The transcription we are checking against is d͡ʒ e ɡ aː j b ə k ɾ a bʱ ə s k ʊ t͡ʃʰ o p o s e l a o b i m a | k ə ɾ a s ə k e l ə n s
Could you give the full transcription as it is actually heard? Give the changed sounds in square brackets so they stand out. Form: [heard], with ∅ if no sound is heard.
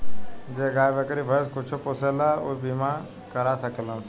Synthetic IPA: d͡ʒ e ɡ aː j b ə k ɾ [i] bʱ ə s k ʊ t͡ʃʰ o p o s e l a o b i m a | k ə ɾ a s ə k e l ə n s